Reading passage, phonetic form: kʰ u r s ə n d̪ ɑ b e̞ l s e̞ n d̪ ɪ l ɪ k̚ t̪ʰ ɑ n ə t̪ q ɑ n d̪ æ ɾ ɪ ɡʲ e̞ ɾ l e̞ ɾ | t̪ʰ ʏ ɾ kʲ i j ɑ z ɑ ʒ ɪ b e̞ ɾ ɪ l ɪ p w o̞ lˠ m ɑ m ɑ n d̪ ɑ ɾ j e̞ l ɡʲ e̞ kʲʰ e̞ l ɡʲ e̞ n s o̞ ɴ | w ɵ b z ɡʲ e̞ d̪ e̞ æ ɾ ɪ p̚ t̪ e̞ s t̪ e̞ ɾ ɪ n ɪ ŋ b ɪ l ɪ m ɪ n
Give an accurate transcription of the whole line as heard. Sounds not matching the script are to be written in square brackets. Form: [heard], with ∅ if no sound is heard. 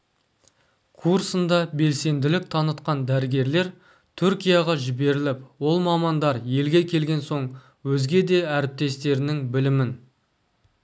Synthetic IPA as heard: kʰ u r s ə n d̪ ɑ b e̞ l s e̞ n d̪ ɪ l ɪ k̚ t̪ʰ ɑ n ə t̪ q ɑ n d̪ æ ɾ ɪ ɡʲ e̞ ɾ l e̞ ɾ | t̪ʰ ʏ ɾ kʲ i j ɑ [ʁ] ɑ ʒ ɪ b e̞ ɾ ɪ l ɪ p w o̞ lˠ m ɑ m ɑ n d̪ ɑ ɾ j e̞ l ɡʲ e̞ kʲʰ e̞ l ɡʲ e̞ n s o̞ ɴ | w ɵ [∅] z ɡʲ e̞ d̪ e̞ æ ɾ ɪ p̚ t̪ e̞ s t̪ e̞ ɾ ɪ n ɪ ŋ b ɪ l ɪ m ɪ n

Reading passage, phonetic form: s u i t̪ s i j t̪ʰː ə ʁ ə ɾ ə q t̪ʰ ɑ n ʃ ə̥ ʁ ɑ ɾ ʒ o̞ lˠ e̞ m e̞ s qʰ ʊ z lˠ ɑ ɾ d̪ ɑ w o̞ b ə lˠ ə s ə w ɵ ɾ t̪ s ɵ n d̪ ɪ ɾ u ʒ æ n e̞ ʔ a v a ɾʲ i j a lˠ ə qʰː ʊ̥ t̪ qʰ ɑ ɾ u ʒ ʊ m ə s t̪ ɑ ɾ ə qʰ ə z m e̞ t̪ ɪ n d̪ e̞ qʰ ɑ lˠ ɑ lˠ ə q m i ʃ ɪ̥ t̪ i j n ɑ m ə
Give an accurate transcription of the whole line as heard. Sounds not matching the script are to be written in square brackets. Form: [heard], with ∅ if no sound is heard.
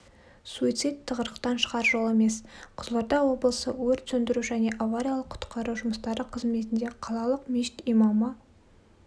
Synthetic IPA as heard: s u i t̪ s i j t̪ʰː ə ʁ ə ɾ ə q [t̪] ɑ n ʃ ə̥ ʁ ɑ ɾ ʒ o̞ lˠ e̞ m e̞ s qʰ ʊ z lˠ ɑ ɾ d̪ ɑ w o̞ b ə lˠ ə s ə w ɵ ɾ t̪ s ɵ n d̪ ɪ ɾ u ʒ æ n e̞ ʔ a v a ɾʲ i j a lˠ ə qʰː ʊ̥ t̪ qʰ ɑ ɾ u ʒ ʊ m ə s t̪ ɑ ɾ ə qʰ ə z m e̞ t̪ ɪ n d̪ e̞ qʰ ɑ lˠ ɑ lˠ ə q m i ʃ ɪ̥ t̪ i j [m] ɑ m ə

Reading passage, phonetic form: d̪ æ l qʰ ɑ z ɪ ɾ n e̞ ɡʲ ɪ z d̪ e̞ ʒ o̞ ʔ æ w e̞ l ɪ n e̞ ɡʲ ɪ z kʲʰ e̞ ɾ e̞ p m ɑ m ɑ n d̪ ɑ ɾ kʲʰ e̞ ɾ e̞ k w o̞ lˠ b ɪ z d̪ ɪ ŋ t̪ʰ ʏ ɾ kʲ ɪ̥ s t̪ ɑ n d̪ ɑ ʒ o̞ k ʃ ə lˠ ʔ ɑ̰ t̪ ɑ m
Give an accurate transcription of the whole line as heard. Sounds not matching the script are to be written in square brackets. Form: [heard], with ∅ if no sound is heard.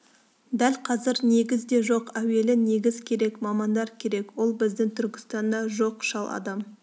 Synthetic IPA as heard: d̪ æ l qʰ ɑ z ɪ ɾ n e̞ ɡʲ ɪ z d̪ e̞ ʒ o̞ [q] æ w e̞ l ɪ n e̞ ɡʲ ɪ z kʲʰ e̞ ɾ e̞ [k] m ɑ m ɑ n d̪ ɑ ɾ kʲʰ e̞ ɾ e̞ k w o̞ lˠ b ɪ z d̪ ɪ ŋ t̪ʰ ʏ ɾ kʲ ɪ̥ s t̪ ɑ n d̪ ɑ ʒ o̞ [q] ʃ [ɑ] lˠ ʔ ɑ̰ [d̪] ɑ m

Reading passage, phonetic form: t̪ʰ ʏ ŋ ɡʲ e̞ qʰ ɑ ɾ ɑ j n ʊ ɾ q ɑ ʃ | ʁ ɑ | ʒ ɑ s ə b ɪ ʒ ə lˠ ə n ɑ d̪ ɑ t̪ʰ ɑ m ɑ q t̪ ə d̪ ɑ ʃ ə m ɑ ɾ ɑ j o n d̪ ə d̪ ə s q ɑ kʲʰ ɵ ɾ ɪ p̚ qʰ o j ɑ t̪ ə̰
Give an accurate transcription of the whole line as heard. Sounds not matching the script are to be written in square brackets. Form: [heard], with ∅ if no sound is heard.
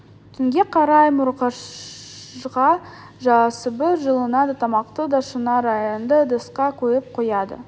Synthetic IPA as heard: t̪ʰ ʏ ŋ ɡʲ e̞ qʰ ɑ ɾ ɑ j [m] ʊ ɾ q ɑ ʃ | ʁ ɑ | ʒ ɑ s ə b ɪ ʒ ə lˠ ə n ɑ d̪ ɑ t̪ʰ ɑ m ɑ q t̪ ə d̪ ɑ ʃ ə [n] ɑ ɾ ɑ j o n d̪ ə d̪ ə s q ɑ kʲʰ ɵ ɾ ɪ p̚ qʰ o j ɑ [d̪] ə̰

